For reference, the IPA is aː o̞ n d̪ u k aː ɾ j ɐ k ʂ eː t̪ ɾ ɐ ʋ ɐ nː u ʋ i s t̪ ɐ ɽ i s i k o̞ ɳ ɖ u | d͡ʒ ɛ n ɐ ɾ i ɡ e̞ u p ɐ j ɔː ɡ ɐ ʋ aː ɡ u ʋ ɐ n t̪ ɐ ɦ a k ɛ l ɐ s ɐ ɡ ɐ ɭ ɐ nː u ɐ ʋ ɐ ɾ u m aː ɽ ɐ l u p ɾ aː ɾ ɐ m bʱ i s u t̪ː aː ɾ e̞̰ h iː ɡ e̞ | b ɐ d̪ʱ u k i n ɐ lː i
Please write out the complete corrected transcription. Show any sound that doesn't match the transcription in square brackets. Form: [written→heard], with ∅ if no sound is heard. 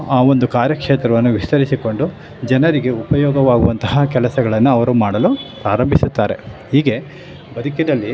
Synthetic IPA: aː o̞ n d̪ u k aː ɾ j ɐ k ʂ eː t̪ ɾ ɐ ʋ ɐ nː u ʋ i s t̪ ɐ [ɽ→ɾ] i s i k o̞ ɳ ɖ u | d͡ʒ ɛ n ɐ ɾ i ɡ e̞ u p ɐ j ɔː ɡ ɐ ʋ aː ɡ u ʋ ɐ n t̪ ɐ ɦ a k ɛ l ɐ s ɐ ɡ ɐ ɭ ɐ nː u ɐ ʋ ɐ ɾ u m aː ɽ ɐ l u p ɾ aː ɾ ɐ m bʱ i s u t̪ː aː ɾ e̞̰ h iː ɡ e̞ | b ɐ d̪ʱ u k i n ɐ lː i